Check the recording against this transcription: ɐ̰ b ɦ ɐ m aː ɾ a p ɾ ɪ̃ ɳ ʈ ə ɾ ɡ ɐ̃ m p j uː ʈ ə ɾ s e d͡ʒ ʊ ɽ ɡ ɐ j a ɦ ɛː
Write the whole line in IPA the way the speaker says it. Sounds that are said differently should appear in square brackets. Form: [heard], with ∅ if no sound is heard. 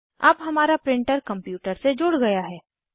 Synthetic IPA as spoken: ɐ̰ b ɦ ɐ m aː ɾ a p ɾ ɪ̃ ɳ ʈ ə ɾ [k] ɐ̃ m p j uː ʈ ə ɾ s e d͡ʒ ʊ ɽ ɡ ɐ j a ɦ ɛː